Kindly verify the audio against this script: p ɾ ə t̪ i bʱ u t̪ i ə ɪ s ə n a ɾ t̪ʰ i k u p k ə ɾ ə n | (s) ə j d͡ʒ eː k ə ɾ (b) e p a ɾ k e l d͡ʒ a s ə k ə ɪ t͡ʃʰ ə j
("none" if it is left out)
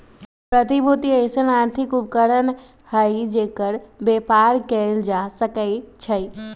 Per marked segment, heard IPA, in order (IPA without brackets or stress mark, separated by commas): h, b